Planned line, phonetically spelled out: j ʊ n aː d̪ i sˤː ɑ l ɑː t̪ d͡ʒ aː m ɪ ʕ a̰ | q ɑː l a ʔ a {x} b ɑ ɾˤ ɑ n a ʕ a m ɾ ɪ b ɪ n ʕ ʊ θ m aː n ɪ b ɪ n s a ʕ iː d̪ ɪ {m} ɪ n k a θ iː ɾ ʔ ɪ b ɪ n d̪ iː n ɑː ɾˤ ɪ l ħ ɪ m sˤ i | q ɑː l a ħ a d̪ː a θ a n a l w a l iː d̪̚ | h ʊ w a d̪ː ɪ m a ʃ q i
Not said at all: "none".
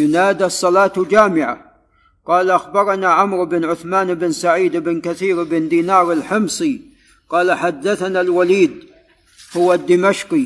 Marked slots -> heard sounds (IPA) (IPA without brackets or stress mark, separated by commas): x, b